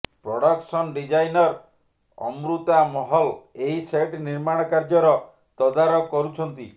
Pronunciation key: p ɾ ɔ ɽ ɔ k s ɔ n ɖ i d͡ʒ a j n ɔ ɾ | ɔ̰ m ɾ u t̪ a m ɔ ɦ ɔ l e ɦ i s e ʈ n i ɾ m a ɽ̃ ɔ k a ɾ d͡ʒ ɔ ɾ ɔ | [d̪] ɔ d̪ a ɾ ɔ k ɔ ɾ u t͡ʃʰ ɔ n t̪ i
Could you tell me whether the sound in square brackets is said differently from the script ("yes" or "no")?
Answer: yes